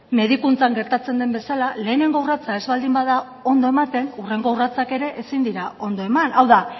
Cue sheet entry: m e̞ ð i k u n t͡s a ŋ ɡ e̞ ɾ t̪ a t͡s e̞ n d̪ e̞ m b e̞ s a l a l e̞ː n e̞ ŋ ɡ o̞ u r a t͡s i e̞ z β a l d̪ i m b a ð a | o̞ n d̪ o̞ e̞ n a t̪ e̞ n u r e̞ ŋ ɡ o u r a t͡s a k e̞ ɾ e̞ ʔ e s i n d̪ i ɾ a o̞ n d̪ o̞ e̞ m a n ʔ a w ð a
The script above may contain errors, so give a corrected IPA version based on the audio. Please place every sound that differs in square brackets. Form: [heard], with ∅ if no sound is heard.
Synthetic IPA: m e̞ ð i k u n t͡s a ŋ ɡ e̞ ɾ t̪ a t͡s e̞ n d̪ e̞ m b e̞ s a l a l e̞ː n e̞ ŋ ɡ o̞ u r a t͡s [a] e̞ z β a l d̪ i m b a ð a | o̞ n d̪ o̞ e̞ [m] a t̪ e̞ n u r e̞ ŋ ɡ o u r a t͡s a k e̞ ɾ e̞ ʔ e s i n d̪ i ɾ a o̞ n d̪ o̞ e̞ m a n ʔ a w ð a